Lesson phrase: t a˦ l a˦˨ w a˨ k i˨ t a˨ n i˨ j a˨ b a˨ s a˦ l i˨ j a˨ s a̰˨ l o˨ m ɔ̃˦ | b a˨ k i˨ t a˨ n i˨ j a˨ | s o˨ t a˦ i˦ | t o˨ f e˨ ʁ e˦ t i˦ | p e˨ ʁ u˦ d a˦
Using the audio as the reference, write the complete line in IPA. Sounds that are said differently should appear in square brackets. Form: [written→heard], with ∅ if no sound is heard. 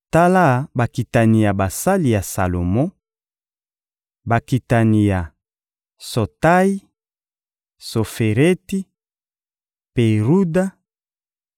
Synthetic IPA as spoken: t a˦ l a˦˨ [w→b] a˨ k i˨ t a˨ n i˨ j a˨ b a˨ s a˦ l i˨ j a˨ s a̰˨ l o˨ m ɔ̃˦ | b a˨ k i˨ t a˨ n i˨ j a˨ | s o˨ t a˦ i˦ | [t→s] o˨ f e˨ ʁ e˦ t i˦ | p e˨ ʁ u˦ d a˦

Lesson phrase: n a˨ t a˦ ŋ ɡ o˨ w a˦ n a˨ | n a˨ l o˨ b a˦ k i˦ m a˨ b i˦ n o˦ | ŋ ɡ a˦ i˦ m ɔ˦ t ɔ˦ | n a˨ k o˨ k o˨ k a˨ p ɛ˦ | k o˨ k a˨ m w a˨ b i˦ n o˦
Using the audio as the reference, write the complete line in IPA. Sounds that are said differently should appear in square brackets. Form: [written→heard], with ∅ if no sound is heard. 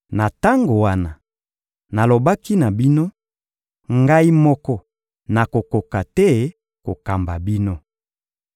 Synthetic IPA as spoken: n a˨ t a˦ ŋ ɡ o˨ w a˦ n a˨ | n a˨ l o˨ b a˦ k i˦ [m→n] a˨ b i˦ n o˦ | ŋ ɡ a˦ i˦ m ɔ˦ [t→k] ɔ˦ | n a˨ k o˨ k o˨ k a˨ [p→t] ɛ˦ | k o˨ k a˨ m [w→b] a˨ b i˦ n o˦

